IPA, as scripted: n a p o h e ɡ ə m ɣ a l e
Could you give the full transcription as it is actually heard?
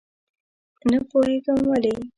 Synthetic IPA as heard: n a p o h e ɡ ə m w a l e